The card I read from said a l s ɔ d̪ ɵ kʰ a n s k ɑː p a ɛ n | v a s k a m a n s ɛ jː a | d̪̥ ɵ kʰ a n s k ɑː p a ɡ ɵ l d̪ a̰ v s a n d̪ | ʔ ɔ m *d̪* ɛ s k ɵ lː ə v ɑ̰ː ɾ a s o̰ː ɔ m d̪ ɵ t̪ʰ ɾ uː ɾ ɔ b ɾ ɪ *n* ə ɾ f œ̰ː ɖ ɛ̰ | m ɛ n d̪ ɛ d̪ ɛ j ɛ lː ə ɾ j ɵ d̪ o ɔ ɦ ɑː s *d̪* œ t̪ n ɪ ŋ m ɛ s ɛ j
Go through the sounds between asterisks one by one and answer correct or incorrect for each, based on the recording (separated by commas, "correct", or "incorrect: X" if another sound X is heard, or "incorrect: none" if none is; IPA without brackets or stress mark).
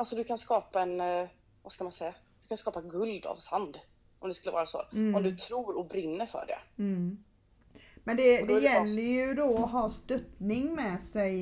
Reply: correct, incorrect: nː, incorrect: t̪